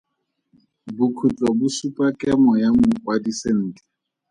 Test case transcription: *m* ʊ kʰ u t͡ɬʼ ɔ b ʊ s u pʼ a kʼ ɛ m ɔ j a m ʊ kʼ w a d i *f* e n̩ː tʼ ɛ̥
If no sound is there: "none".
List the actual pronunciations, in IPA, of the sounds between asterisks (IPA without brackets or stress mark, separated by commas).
b, s